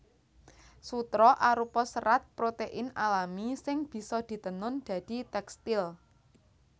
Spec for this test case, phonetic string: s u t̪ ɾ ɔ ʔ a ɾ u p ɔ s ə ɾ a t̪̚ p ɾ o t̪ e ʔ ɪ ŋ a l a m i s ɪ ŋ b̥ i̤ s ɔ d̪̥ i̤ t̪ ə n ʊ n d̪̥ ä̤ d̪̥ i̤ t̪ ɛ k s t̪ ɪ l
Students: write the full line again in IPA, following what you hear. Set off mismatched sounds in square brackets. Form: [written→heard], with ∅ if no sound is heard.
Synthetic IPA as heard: s u t̪ ɾ ɔ ʔ a ɾ u p ɔ s ə ɾ a t̪̚ p ɾ o t̪ e ʔ ɪ [ŋ→n] a l a m i s ɪ ŋ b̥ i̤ s ɔ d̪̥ i̤ t̪ ə n ʊ n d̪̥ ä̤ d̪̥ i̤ t̪ ɛ k s t̪ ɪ l